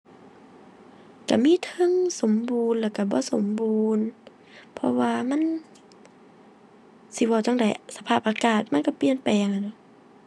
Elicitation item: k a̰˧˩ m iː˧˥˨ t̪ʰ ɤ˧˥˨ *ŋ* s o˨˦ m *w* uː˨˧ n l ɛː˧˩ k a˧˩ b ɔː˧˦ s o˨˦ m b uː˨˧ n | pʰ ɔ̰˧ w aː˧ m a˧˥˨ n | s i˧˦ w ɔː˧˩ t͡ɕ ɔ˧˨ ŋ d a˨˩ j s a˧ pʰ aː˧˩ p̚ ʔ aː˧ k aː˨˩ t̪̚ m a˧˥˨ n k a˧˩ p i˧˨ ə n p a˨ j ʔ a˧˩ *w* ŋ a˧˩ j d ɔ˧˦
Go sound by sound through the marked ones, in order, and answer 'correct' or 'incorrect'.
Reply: correct, incorrect, incorrect

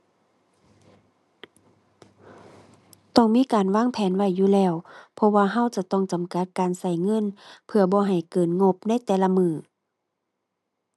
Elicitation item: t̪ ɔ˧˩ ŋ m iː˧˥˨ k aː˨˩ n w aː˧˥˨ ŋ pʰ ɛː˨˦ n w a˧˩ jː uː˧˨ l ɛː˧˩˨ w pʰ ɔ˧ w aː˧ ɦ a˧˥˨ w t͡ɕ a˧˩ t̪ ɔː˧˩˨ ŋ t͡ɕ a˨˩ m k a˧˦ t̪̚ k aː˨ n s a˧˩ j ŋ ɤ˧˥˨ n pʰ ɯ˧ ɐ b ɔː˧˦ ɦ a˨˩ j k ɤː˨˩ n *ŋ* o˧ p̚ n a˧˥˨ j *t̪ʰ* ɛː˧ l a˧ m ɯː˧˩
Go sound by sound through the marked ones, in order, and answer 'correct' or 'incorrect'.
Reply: correct, incorrect

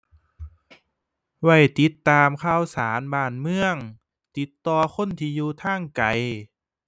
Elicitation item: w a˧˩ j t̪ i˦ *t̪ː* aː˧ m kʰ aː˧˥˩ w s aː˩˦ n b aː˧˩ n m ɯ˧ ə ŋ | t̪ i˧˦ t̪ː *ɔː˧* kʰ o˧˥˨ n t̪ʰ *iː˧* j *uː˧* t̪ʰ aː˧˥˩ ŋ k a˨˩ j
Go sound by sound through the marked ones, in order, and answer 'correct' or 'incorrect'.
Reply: correct, correct, correct, correct

